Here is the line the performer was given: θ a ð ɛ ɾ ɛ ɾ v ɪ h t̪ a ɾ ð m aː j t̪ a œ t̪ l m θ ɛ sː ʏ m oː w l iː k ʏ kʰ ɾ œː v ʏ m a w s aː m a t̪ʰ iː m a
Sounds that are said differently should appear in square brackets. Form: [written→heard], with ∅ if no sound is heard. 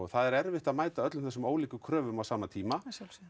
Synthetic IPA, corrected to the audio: θ a ð ɛ ɾ ɛ ɾ v ɪ h t̪ a [ɾ→∅] ð m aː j t̪ a œ t̪ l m θ ɛ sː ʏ m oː w l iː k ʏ kʰ ɾ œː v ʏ m a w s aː m a t̪ʰ iː m a